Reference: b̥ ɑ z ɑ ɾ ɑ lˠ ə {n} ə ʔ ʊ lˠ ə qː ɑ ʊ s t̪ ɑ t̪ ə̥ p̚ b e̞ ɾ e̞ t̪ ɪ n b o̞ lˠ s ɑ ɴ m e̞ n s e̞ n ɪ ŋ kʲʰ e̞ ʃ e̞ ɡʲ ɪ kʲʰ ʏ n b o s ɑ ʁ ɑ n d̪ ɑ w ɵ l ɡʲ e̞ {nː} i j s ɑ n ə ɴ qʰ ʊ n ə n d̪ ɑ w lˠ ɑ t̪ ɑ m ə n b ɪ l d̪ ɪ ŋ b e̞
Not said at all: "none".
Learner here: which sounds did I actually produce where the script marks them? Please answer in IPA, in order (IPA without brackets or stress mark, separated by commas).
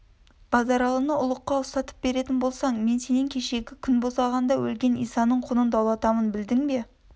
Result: n, n